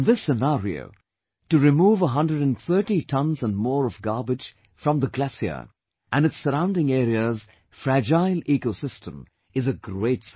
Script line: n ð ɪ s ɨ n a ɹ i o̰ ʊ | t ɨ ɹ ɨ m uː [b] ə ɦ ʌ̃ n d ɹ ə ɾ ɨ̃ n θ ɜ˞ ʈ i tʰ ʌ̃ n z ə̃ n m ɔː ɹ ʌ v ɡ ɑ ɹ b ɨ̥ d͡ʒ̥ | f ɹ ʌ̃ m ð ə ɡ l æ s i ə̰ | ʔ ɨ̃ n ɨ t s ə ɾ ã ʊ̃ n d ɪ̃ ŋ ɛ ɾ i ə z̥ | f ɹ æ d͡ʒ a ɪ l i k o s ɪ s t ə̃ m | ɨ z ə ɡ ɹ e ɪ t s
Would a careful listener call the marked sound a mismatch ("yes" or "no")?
yes